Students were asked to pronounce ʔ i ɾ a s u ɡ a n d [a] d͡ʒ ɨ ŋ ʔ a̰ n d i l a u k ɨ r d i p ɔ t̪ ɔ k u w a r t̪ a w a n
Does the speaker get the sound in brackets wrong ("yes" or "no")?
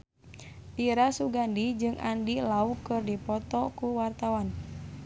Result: yes